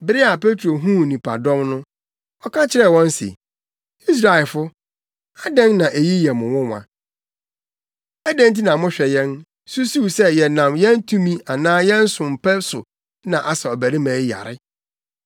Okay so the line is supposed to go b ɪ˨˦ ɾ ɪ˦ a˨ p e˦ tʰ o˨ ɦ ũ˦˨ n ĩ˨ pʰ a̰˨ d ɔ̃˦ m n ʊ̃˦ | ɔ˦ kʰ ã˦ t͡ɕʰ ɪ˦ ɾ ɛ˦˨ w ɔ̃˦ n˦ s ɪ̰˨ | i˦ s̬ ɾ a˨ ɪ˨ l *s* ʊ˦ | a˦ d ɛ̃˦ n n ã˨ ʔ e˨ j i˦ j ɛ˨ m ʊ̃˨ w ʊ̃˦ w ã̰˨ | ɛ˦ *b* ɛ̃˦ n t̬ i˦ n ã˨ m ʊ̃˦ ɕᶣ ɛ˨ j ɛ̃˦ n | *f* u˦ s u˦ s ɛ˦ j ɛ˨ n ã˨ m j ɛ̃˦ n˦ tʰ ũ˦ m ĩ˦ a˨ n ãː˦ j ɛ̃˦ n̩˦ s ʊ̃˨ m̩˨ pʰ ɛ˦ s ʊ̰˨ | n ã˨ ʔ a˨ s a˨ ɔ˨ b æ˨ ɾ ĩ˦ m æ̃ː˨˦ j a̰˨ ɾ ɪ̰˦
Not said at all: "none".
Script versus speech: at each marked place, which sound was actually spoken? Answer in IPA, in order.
f, d, s

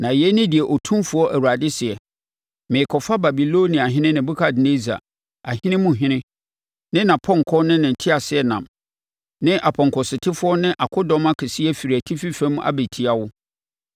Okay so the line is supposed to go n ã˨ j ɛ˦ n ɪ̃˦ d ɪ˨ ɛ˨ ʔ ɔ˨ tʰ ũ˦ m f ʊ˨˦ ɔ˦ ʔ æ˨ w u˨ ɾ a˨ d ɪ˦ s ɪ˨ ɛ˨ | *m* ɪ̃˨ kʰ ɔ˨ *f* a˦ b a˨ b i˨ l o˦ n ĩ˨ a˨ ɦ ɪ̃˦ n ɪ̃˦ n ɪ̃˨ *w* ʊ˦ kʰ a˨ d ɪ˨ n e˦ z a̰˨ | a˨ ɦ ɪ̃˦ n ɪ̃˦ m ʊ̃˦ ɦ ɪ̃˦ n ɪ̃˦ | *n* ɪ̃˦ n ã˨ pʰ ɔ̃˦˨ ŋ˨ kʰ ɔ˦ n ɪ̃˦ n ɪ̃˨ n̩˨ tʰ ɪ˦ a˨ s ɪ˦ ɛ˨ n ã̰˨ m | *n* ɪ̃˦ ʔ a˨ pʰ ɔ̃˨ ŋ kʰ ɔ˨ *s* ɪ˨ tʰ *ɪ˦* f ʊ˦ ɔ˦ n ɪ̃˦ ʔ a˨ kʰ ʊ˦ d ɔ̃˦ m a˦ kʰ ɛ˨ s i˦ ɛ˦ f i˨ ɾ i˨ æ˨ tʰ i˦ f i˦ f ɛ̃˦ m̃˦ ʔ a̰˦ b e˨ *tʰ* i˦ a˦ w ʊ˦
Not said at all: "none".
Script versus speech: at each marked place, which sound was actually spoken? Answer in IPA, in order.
m, f, b, n, n, s, ɪ˦, tʰ

